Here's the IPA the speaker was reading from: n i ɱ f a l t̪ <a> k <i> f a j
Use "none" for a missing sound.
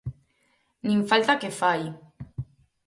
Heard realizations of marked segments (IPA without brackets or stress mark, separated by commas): a, e